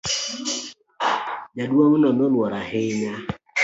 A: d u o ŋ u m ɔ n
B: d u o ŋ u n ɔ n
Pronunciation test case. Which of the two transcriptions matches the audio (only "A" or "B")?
B